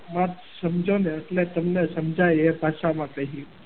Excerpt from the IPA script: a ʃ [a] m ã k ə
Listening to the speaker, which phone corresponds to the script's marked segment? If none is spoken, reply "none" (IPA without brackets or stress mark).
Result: a